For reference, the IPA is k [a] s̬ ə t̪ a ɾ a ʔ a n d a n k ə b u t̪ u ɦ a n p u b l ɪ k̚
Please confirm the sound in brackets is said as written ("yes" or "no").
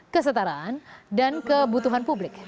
no